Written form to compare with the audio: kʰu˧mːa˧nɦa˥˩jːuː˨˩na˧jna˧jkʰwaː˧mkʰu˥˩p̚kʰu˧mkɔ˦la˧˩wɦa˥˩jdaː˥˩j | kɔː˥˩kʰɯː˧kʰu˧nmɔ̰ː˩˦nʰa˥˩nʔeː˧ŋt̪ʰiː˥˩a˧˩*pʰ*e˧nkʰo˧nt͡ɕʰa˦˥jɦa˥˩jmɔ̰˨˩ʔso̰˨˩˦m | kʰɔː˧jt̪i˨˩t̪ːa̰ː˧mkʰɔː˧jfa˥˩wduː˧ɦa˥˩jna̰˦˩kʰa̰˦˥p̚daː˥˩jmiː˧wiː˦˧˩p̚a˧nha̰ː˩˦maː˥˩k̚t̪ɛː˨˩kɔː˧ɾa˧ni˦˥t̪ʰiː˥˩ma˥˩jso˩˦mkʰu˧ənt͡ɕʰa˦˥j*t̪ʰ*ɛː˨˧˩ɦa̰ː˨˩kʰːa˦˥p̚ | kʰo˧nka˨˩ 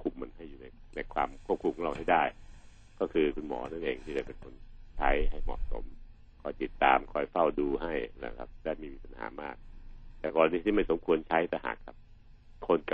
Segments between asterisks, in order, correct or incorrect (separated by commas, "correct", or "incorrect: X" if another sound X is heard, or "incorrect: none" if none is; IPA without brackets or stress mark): incorrect: p, incorrect: t̪